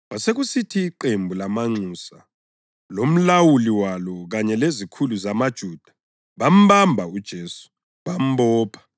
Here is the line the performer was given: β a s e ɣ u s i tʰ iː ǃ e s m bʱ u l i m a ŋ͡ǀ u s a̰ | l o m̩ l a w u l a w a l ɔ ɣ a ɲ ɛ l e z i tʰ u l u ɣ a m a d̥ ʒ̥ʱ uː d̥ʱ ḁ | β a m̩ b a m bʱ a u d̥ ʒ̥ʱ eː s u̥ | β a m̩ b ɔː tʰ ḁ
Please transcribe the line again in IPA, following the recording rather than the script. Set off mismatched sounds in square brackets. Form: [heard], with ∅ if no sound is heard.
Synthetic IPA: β a s e ɣ u s i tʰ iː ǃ e [∅] m bʱ u l [a] m a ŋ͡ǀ u s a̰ | l o m̩ l a w u l [i] w a l ɔ ɣ a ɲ ɛ l e z i [kʰ] u l u [z] a m a d̥ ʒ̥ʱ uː d̥ʱ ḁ | β a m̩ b a m bʱ a u d̥ ʒ̥ʱ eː s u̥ | β a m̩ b ɔː [pʰ] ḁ